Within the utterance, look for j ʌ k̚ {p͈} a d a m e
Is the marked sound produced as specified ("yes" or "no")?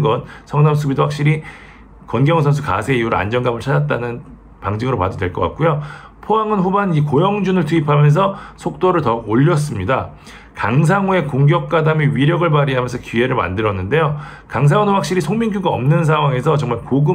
no